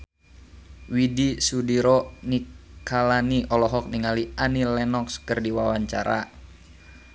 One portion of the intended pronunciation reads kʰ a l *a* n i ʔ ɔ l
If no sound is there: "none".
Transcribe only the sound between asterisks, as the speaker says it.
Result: a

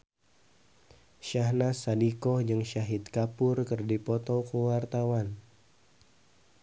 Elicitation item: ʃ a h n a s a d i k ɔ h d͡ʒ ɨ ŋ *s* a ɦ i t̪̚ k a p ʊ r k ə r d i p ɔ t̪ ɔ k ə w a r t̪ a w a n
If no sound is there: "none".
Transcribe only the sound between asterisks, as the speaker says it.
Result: ʃ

